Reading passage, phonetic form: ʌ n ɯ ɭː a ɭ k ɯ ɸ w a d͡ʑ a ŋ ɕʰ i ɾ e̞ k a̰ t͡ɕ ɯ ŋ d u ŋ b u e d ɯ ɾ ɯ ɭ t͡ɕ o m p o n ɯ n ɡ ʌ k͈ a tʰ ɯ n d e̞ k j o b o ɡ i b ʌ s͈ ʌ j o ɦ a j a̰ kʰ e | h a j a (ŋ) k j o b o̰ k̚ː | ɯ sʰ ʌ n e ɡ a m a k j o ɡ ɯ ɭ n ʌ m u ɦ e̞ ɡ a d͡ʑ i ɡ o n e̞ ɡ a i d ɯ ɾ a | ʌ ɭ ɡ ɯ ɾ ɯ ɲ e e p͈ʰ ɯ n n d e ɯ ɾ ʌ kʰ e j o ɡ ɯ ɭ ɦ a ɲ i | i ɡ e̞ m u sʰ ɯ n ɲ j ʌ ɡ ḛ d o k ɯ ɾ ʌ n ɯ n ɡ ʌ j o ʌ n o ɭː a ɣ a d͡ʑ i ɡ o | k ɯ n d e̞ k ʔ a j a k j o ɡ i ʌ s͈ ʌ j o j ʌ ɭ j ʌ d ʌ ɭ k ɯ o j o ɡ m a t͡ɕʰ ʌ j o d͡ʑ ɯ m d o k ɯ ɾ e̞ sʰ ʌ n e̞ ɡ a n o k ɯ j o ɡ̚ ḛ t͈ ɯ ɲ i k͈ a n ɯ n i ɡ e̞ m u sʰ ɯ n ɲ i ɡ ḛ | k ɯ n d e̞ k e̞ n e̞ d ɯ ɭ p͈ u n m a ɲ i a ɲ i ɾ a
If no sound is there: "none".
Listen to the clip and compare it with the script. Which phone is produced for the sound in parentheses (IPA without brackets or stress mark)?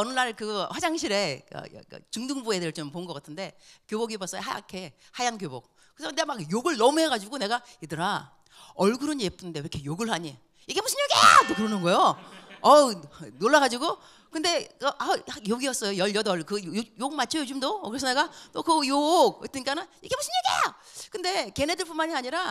n